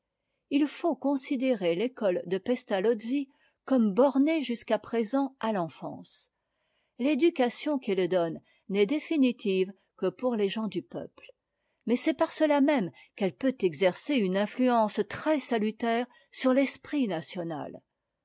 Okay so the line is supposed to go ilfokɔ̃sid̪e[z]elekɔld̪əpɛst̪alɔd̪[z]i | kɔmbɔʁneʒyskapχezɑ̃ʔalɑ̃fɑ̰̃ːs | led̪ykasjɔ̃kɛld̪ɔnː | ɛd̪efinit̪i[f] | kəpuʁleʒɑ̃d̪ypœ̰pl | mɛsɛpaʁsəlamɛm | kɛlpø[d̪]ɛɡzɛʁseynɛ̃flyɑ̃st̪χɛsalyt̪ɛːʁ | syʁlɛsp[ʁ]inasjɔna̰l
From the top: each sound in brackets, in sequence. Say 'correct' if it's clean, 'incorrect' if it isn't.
incorrect: ʁ, correct, incorrect: v, incorrect: t̪, incorrect: χ

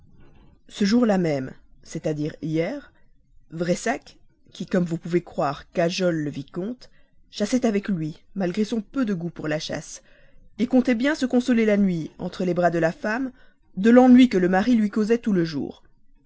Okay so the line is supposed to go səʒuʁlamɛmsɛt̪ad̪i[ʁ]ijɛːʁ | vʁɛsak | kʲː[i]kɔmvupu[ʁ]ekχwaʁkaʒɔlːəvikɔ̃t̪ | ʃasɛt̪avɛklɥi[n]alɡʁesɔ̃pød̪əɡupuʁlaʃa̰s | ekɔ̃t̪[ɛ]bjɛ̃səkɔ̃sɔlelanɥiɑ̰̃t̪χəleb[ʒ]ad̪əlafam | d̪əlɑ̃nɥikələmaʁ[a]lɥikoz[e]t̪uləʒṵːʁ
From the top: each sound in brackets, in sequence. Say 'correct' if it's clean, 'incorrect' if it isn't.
correct, correct, incorrect: v, incorrect: m, correct, incorrect: ʁ, incorrect: i, incorrect: ɛ

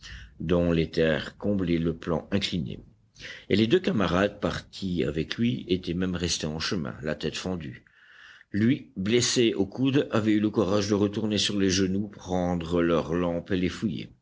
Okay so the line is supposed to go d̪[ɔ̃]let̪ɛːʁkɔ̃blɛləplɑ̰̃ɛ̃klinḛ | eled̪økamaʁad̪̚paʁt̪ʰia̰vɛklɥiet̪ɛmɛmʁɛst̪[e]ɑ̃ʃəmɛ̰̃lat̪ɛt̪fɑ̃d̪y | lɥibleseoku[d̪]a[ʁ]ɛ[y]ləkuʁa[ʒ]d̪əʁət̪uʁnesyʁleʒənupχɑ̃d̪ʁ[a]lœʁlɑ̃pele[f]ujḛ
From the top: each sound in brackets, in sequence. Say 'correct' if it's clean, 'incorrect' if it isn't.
correct, correct, correct, incorrect: v, correct, correct, incorrect: ə, correct

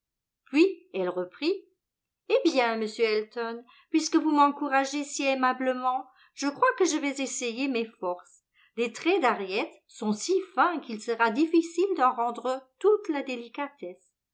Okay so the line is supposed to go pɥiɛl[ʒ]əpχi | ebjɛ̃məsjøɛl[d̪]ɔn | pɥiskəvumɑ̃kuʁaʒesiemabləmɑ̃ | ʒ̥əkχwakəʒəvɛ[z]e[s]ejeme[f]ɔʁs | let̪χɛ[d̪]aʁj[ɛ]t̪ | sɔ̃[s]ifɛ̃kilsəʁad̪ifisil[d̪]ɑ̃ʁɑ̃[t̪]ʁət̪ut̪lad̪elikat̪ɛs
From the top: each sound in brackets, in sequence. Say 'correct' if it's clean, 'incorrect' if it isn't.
incorrect: ʁ, incorrect: t̪, correct, correct, correct, correct, correct, correct, correct, incorrect: d̪

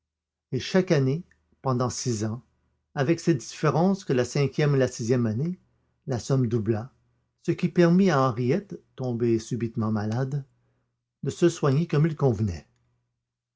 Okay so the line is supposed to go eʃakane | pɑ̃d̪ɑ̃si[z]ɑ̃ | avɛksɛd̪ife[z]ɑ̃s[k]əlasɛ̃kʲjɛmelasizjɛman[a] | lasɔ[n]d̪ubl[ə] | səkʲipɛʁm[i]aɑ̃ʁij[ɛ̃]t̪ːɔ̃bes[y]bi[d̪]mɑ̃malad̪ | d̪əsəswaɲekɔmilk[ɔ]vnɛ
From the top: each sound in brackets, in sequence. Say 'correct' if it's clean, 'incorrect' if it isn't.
correct, incorrect: ʁ, correct, incorrect: e, incorrect: m, incorrect: a, correct, incorrect: ɛ, correct, incorrect: t̪, incorrect: ɔ̃

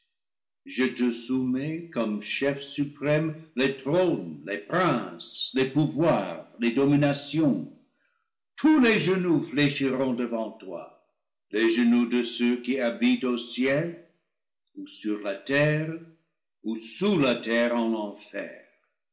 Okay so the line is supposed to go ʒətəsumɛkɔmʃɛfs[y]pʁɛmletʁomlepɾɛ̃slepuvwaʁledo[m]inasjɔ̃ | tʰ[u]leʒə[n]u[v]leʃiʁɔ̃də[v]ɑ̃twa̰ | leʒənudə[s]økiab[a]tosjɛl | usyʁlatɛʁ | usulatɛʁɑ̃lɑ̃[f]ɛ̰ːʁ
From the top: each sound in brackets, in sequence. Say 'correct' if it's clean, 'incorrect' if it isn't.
correct, correct, correct, correct, incorrect: f, correct, correct, incorrect: i, correct

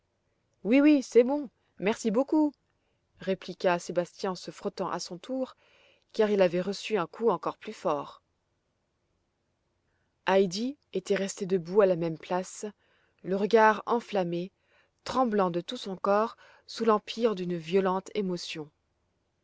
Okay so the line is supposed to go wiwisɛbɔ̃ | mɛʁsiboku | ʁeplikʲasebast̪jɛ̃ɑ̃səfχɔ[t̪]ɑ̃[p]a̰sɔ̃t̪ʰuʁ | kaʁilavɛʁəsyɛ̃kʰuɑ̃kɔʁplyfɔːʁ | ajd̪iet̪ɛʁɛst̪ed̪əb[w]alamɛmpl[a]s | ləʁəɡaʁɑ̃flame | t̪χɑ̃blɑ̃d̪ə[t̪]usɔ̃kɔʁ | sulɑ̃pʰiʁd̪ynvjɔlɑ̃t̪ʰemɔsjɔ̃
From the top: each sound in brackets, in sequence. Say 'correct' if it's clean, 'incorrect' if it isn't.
correct, incorrect: ʔ, incorrect: u, correct, correct

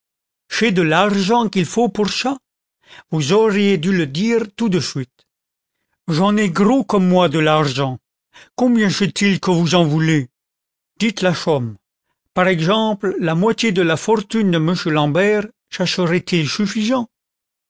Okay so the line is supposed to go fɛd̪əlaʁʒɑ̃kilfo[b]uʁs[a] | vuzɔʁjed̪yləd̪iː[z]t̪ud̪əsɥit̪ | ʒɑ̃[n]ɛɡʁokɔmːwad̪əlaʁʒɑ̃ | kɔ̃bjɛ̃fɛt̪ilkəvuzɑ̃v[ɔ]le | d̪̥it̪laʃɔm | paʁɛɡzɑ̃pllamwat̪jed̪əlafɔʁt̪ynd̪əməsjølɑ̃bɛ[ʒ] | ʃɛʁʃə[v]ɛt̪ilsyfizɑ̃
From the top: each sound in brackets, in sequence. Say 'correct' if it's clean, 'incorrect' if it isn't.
incorrect: p, correct, incorrect: ʁ, correct, incorrect: u, incorrect: ʁ, incorrect: ʁ

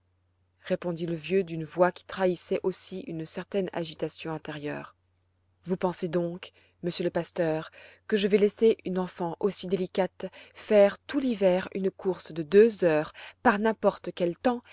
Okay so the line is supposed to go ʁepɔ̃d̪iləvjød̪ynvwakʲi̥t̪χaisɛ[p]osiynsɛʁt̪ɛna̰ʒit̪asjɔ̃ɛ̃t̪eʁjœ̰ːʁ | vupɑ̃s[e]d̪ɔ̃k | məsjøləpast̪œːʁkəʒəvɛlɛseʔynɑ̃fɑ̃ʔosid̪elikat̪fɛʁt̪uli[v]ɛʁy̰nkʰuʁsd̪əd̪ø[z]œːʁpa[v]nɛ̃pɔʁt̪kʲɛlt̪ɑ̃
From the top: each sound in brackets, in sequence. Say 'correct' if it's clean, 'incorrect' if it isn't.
incorrect: ʔ, correct, correct, correct, incorrect: ʁ

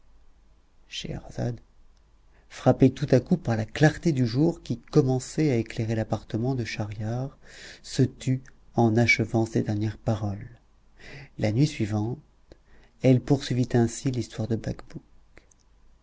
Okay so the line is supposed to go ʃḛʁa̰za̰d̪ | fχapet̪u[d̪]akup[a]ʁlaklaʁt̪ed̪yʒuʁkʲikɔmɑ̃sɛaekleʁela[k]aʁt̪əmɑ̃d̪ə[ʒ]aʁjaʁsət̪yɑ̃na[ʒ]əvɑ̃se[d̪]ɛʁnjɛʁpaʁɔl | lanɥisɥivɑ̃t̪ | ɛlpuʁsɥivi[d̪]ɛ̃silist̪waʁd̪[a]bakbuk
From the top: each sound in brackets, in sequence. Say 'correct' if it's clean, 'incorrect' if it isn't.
incorrect: t̪, correct, incorrect: p, incorrect: ʃ, incorrect: ʃ, correct, incorrect: t̪, incorrect: ə

